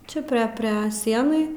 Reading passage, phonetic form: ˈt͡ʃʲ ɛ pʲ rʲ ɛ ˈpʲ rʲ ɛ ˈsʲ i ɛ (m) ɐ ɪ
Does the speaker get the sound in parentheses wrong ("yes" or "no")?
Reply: yes